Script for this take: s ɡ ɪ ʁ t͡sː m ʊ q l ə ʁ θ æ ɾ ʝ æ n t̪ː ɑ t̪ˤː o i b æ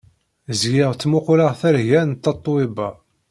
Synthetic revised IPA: z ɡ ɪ ʁ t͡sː m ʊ q l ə ʁ θ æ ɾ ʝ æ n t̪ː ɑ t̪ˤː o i b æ